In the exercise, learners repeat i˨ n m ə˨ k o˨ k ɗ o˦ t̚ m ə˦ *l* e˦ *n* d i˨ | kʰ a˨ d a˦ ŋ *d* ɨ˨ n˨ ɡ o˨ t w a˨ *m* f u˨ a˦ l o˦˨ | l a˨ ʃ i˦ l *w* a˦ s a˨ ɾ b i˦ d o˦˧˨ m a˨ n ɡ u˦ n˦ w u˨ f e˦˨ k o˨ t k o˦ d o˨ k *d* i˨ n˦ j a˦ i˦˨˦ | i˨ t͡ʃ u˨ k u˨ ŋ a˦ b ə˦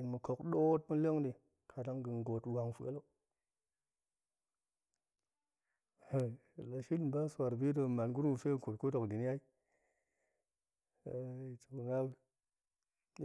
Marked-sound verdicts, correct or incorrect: correct, incorrect, incorrect, incorrect, incorrect, correct

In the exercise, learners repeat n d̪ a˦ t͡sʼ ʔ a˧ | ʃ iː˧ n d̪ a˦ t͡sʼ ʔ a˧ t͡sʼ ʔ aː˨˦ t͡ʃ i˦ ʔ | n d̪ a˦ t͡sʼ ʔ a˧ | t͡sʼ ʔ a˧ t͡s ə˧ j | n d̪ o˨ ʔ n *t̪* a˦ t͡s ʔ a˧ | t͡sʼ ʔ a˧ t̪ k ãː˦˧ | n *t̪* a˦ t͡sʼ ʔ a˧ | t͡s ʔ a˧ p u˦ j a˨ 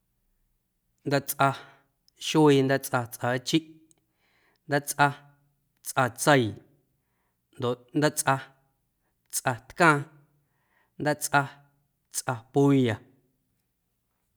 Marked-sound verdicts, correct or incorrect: incorrect, incorrect

